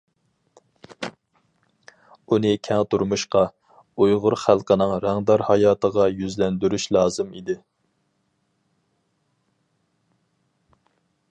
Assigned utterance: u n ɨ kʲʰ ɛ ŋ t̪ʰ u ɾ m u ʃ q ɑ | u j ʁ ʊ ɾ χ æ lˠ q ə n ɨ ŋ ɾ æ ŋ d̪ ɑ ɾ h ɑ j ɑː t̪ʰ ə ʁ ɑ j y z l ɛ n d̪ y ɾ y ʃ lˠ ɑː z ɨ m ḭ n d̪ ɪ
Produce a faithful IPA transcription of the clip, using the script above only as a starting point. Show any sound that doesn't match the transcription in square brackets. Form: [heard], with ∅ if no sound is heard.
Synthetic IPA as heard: u n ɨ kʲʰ ɛ ŋ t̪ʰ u ɾ m u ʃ q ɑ | u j ʁ ʊ ɾ χ æ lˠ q ə n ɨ ŋ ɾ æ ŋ d̪ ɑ ɾ h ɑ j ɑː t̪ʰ ə ʁ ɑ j y z l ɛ n d̪ y ɾ y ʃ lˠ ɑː z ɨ m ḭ [∅] d̪ ɪ